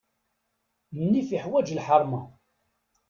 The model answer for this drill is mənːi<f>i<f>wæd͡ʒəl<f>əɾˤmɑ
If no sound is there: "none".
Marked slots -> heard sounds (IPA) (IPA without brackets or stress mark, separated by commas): f, ħ, ħ